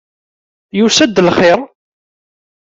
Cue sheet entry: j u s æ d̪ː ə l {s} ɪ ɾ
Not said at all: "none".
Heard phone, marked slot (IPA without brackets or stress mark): χ